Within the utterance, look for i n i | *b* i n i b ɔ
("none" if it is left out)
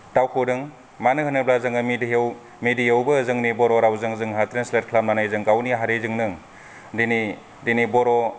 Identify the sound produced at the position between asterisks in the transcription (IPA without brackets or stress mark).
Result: d